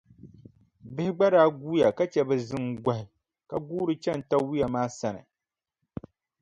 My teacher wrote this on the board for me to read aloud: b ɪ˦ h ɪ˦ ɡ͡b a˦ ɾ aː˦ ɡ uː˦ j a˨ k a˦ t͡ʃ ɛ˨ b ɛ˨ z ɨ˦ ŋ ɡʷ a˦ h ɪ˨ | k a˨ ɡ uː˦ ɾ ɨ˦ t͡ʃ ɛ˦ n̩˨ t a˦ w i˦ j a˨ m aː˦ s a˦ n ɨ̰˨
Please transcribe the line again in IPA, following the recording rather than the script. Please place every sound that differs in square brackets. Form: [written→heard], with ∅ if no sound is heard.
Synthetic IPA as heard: b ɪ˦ h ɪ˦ ɡ͡b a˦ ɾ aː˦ ɡ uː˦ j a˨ k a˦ t͡ʃ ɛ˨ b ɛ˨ z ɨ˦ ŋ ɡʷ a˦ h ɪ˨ | k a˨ ɡ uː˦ ɾ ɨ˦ t͡ʃ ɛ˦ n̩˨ t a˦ w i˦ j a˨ m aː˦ s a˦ n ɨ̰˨

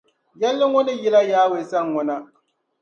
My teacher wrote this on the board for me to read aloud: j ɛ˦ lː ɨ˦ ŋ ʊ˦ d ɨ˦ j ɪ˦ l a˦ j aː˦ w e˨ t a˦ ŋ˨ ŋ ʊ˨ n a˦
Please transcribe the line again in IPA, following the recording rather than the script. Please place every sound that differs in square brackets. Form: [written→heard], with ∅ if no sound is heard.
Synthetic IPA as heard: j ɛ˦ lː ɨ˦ ŋ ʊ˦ [d→n] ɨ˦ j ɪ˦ l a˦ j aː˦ w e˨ [t→s] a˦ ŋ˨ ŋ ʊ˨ n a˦

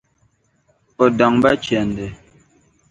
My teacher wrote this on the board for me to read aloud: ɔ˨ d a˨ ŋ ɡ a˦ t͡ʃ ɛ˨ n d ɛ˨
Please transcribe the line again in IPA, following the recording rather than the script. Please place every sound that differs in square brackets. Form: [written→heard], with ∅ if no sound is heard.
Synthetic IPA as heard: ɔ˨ d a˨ ŋ [ɡ→b] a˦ t͡ʃ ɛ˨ n d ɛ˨

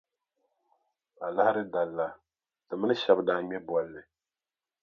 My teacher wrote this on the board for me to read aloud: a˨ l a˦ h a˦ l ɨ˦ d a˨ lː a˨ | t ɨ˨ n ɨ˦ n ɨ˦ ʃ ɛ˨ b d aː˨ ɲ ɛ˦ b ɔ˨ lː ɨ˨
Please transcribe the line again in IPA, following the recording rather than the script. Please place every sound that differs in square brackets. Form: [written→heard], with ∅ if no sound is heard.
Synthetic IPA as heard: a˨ l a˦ h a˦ [l→ɾ] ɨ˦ d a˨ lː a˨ | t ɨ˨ [n→m] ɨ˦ n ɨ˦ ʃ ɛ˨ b d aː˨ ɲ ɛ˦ b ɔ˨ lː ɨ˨

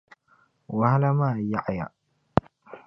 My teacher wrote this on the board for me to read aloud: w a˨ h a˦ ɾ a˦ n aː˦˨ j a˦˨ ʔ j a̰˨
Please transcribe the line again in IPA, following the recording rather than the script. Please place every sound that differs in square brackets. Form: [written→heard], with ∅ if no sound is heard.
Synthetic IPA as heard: w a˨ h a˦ [ɾ→l] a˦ [n→m] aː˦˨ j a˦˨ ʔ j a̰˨

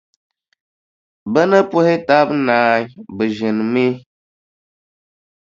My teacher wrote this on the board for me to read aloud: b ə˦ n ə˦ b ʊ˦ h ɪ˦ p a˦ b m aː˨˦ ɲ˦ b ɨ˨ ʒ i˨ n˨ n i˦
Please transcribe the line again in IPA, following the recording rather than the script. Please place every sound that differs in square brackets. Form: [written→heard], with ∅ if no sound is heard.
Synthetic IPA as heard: b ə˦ n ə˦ [b→p] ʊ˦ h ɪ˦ [p→t] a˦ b [m→n] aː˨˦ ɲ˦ b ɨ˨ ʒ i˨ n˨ [n→m] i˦

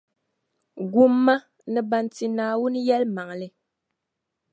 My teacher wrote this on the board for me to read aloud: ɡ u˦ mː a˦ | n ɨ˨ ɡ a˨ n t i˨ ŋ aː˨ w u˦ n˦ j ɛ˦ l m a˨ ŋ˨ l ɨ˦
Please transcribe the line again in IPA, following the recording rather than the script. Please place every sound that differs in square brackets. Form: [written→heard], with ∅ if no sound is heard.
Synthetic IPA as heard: ɡ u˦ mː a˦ | n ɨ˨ [ɡ→b] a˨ n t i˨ [ŋ→n] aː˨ w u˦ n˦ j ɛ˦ l m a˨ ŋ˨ l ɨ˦

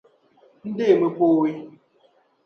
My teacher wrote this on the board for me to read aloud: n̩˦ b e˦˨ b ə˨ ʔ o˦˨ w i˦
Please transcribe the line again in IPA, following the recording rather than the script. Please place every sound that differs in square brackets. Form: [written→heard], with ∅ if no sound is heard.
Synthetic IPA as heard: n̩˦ [b→d] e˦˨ [b→m] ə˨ [ʔ→p] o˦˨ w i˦

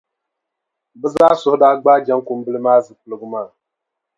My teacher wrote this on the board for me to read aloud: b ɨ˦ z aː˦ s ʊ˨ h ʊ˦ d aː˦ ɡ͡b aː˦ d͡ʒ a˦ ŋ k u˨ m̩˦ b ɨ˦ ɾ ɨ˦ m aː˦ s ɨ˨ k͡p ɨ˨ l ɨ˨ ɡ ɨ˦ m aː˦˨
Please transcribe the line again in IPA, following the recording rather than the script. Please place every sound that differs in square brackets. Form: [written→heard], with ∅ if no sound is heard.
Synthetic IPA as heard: b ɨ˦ z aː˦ s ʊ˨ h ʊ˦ d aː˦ ɡ͡b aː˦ d͡ʒ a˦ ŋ k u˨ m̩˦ b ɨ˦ [ɾ→l] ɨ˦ m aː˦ [s→z] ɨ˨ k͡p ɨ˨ l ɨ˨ ɡ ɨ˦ m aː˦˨

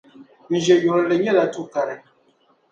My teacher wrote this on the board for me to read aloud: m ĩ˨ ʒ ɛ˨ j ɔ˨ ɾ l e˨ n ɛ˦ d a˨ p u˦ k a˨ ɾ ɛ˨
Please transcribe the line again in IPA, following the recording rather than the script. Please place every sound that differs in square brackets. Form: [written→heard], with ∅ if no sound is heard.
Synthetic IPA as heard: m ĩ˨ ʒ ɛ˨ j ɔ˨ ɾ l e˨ [n→ɲ] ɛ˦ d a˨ [p→t] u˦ k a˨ ɾ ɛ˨

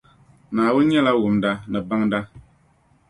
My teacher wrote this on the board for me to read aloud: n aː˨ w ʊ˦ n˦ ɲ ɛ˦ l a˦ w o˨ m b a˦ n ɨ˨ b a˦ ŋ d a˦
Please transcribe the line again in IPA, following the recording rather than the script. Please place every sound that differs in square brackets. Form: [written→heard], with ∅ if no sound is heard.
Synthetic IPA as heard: n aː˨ w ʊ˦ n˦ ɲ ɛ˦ l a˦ w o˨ m [b→d] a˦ n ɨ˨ b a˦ ŋ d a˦

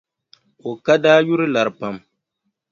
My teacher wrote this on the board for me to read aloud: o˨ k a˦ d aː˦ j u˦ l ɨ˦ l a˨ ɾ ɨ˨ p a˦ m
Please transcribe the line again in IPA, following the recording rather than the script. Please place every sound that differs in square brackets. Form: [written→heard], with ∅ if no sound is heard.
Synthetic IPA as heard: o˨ k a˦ d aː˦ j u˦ [l→ɾ] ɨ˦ l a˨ ɾ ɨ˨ p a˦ m

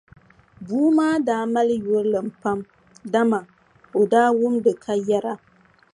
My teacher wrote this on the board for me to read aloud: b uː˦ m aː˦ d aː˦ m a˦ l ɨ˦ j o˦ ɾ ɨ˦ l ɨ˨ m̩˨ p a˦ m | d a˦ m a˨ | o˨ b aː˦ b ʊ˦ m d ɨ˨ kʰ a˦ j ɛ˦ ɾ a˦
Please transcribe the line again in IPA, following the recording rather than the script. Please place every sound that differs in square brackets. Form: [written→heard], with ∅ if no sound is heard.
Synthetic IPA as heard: b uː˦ m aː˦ d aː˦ m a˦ l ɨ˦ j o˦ ɾ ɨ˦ l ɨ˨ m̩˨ p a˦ m | d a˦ m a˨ | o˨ [b→d] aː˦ [b→w] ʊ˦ m d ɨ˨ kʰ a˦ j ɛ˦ ɾ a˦

